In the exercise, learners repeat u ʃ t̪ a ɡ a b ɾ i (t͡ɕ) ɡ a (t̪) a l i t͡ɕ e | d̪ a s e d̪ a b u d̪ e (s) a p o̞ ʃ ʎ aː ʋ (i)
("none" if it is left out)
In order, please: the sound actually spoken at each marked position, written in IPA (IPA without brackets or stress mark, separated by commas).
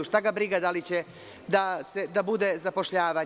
none, d̪, z, a